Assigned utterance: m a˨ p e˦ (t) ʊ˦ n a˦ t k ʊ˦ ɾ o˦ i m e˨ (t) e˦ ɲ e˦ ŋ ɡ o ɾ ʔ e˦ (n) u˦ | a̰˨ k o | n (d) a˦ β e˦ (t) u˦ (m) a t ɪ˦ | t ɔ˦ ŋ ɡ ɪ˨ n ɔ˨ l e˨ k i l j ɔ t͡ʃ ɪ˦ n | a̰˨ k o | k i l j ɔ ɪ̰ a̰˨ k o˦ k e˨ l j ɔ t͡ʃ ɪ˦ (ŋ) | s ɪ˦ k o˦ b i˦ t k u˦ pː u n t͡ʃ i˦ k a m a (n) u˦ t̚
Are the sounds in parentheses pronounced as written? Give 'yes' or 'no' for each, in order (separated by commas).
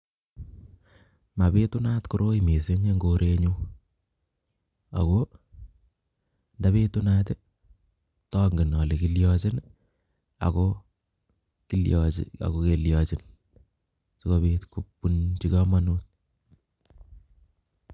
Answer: yes, no, no, yes, yes, no, no, yes